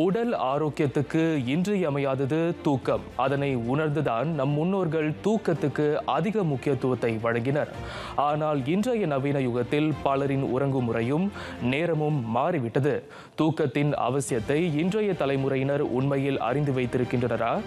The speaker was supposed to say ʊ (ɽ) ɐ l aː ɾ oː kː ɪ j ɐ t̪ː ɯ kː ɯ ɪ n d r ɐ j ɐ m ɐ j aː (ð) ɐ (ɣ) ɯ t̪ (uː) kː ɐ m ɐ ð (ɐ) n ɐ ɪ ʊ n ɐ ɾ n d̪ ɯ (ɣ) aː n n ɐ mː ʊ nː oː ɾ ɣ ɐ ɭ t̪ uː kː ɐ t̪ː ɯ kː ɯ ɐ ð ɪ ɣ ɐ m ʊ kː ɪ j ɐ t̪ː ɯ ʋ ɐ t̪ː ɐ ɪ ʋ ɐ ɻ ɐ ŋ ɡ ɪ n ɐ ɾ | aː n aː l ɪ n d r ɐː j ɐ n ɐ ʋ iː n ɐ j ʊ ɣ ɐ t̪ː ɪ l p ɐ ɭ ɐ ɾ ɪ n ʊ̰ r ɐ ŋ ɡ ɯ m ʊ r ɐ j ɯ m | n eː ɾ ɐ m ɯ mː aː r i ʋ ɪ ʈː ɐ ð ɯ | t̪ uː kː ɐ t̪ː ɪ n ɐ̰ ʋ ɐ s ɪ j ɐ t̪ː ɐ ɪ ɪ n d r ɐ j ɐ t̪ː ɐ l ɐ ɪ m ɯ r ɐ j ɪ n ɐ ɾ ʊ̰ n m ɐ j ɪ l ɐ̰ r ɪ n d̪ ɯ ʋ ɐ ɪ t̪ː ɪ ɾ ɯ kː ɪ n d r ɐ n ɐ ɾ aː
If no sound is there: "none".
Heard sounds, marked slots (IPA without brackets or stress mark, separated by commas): ɽ, ð, ð, uː, ɐ, ð